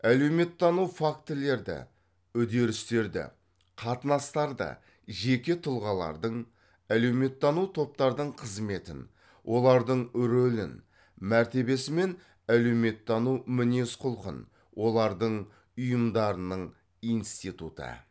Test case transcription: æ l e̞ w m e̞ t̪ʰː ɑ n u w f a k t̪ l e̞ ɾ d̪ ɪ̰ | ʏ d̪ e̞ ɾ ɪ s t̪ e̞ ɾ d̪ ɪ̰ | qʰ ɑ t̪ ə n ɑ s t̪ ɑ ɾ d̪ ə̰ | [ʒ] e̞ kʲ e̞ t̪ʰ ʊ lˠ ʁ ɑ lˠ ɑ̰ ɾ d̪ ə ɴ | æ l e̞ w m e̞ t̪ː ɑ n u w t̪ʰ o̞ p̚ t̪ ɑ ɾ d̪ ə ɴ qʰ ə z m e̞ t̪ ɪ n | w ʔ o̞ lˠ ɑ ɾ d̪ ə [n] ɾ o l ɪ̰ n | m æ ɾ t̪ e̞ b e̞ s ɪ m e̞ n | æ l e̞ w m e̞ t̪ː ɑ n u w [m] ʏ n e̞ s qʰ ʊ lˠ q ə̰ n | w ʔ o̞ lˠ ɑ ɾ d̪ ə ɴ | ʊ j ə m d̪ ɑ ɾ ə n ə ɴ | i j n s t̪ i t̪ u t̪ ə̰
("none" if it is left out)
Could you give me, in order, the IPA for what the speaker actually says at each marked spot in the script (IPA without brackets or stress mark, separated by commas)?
ʒ, ɴ, m